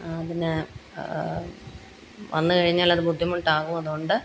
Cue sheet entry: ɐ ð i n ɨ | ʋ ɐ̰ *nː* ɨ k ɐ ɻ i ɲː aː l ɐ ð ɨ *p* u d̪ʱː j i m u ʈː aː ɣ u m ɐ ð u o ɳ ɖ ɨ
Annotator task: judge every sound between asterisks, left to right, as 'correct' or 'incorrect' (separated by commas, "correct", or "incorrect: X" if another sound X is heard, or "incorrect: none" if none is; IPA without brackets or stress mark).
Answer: correct, incorrect: b